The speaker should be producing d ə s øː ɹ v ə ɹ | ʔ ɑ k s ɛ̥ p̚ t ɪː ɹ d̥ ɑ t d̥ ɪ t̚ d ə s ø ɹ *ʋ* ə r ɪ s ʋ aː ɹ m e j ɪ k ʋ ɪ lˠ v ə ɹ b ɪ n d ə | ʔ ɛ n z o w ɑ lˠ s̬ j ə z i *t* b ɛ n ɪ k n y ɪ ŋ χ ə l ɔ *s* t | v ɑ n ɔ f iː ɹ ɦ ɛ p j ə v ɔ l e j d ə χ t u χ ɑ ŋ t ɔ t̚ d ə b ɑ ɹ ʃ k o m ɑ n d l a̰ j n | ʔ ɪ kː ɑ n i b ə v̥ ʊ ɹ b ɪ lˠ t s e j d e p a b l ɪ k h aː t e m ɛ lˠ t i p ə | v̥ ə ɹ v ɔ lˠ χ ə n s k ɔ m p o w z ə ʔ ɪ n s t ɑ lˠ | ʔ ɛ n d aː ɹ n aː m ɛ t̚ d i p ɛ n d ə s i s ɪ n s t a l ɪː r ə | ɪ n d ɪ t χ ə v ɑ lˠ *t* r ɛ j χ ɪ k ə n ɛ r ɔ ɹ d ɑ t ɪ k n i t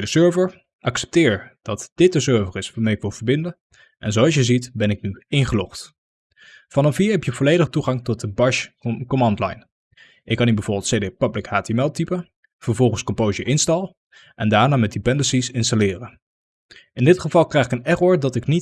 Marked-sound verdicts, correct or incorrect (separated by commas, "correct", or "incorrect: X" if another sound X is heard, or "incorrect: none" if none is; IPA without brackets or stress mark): incorrect: v, correct, incorrect: χ, incorrect: k